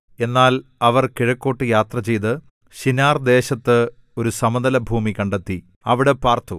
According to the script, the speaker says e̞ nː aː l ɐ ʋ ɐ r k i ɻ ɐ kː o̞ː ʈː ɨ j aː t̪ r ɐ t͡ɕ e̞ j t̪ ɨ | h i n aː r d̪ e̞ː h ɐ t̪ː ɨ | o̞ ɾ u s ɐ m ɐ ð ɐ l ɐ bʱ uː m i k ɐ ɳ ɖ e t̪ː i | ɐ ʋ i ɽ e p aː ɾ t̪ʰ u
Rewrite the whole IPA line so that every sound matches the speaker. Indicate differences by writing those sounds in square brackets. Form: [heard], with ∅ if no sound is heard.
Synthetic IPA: e̞ nː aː l ɐ ʋ ɐ r k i ɻ ɐ kː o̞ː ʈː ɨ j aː t̪ r ɐ t͡ɕ e̞ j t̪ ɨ | [ɕ] i n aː r d̪ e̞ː [ɕ] ɐ t̪ː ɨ | o̞ ɾ u s ɐ m ɐ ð ɐ l ɐ bʱ uː m i k ɐ ɳ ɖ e t̪ː i | ɐ ʋ i ɽ e p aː [r] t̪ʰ u